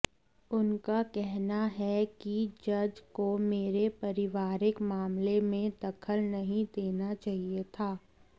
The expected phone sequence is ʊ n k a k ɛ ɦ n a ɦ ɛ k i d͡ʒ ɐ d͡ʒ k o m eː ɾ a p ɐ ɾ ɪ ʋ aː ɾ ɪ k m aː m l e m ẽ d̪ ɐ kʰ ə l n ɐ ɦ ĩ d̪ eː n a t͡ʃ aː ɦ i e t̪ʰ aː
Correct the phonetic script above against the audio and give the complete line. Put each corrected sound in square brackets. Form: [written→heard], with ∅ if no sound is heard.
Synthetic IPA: ʊ n k a k ɛ ɦ n a ɦ ɛ k i d͡ʒ ɐ d͡ʒ k o m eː ɾ [a→e] p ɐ ɾ ɪ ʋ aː ɾ ɪ k m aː m l e m ẽ d̪ ɐ kʰ ə l n ɐ ɦ ĩ d̪ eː n a t͡ʃ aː ɦ i e t̪ʰ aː